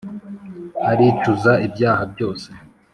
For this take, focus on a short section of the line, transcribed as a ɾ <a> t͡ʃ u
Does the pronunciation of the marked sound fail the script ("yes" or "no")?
yes